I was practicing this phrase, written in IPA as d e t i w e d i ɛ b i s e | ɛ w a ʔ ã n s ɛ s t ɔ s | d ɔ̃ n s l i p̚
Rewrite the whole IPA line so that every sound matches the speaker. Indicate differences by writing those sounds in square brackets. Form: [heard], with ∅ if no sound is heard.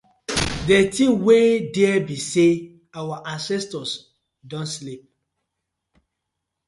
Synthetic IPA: d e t i w e d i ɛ b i s e | [a] w a ʔ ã n s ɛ s t ɔ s | d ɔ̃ n s l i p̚